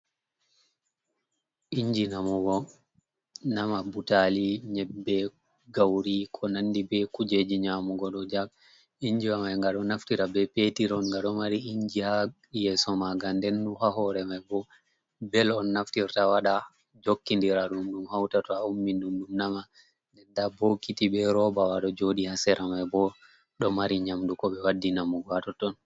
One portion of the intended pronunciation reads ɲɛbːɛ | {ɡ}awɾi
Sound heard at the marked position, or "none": ɡ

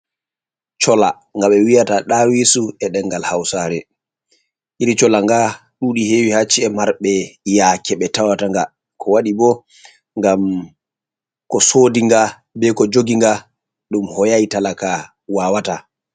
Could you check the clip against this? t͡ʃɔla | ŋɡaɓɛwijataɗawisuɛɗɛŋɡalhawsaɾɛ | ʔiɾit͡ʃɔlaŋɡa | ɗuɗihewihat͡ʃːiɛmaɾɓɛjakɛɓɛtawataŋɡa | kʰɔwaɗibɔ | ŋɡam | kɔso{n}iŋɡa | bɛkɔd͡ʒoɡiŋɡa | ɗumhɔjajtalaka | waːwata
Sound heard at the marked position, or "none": d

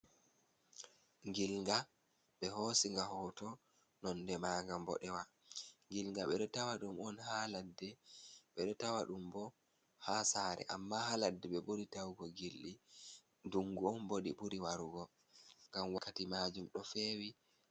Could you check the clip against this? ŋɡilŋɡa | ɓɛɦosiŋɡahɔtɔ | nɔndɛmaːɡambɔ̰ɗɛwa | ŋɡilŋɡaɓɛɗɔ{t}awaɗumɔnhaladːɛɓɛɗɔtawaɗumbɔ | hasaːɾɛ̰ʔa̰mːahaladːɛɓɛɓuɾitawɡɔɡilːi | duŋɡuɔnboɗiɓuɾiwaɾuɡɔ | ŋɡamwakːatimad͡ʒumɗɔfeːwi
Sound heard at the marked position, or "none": t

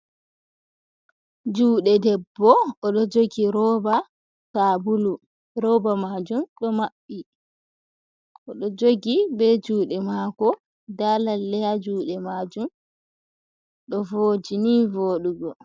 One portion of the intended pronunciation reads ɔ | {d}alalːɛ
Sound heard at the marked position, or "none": d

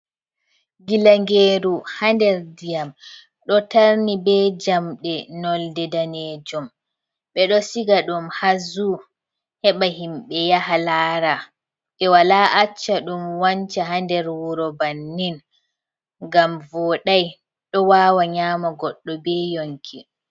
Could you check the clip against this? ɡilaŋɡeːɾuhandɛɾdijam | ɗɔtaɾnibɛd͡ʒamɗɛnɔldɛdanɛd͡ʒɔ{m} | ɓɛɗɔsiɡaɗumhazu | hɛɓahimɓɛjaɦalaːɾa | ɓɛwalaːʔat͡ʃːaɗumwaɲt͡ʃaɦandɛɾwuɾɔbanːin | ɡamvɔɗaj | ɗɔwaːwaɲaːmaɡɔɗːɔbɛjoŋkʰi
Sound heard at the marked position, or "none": m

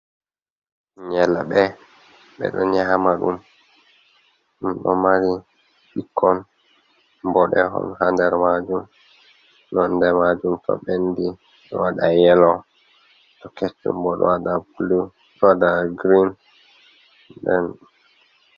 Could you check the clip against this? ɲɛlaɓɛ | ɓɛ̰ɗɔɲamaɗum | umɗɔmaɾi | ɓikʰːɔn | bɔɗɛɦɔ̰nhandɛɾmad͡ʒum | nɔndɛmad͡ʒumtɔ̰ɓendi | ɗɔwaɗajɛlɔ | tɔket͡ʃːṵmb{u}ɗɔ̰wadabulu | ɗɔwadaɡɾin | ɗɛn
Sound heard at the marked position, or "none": ɔ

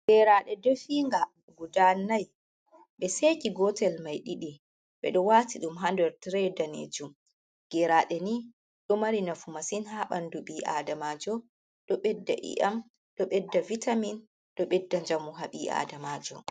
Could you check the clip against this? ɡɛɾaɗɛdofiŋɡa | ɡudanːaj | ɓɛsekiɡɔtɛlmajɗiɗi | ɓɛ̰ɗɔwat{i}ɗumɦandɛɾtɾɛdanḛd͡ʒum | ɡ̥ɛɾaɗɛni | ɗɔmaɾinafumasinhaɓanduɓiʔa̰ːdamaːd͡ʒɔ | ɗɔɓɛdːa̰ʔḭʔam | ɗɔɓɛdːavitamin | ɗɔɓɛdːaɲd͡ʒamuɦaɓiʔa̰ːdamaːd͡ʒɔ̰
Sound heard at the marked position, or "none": i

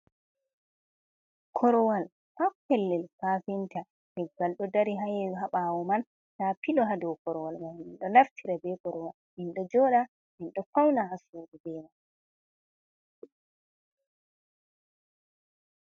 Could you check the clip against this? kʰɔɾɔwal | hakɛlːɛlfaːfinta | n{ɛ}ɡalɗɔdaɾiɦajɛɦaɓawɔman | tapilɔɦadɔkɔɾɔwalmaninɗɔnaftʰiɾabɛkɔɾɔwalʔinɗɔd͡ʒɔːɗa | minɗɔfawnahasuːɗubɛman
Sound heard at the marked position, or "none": ɛ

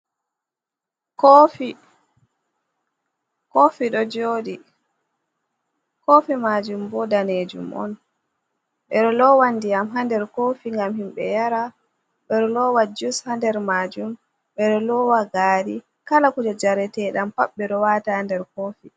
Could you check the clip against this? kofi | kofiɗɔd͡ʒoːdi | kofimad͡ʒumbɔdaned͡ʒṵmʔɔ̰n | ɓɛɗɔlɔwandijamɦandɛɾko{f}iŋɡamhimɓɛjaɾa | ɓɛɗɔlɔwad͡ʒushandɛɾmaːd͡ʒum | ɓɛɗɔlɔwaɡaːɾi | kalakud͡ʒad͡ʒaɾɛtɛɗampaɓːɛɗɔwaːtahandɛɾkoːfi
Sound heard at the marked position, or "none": f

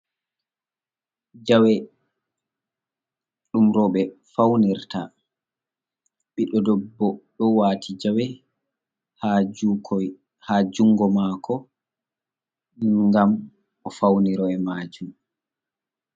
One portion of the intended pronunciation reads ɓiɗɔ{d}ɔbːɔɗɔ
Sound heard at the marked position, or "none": d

